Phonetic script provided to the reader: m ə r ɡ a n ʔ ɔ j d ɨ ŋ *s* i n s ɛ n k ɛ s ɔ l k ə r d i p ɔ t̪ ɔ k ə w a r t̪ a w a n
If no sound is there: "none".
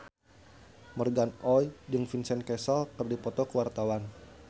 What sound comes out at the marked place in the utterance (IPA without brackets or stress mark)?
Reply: f